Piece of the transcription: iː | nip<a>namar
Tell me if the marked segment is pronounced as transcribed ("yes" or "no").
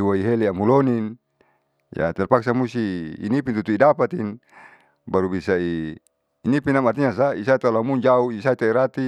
no